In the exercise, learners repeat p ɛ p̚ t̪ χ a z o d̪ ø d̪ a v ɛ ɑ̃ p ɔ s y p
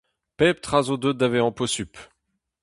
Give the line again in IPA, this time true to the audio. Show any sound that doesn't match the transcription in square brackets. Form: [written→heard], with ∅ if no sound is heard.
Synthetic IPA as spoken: p ɛ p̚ t̪ χ a z o d̪ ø d̪ a v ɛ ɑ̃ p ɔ s y p